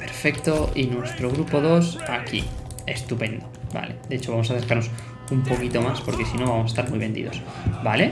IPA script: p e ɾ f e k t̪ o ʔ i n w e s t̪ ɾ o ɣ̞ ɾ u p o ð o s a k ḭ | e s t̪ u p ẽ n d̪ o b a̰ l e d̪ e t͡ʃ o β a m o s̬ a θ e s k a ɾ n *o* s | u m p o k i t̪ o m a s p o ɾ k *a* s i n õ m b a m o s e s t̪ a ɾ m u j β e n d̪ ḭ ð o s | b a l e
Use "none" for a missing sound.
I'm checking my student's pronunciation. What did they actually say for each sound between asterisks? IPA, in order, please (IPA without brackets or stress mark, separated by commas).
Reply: o, e